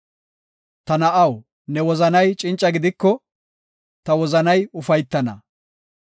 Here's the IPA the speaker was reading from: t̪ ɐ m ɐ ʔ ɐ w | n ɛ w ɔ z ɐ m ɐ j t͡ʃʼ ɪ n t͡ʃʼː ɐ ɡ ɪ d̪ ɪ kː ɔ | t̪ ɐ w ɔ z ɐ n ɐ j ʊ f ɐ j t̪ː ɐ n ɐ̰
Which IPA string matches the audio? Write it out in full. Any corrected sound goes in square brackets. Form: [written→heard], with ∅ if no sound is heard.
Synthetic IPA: t̪ ɐ [m→n] ɐ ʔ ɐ w | n ɛ w ɔ z ɐ [m→n] ɐ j t͡ʃʼ ɪ n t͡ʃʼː ɐ ɡ ɪ d̪ ɪ kː ɔ | t̪ ɐ w ɔ z ɐ n ɐ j ʊ f ɐ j t̪ː ɐ n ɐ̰